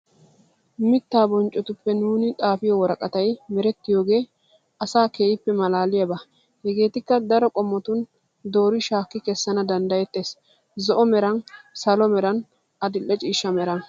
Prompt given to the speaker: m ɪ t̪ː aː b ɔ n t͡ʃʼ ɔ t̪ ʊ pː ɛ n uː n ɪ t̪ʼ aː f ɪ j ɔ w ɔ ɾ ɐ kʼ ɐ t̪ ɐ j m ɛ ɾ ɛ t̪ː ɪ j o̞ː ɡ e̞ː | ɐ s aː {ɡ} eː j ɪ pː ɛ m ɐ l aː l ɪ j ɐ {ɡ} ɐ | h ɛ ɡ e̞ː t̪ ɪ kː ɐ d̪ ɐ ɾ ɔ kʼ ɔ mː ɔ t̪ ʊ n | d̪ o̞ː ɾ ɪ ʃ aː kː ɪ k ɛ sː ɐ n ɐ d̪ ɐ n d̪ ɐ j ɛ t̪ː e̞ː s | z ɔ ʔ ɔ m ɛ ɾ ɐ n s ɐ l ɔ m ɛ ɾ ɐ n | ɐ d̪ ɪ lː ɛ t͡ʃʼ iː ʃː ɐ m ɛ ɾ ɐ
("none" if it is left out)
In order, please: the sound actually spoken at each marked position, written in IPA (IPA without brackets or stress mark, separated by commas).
k, b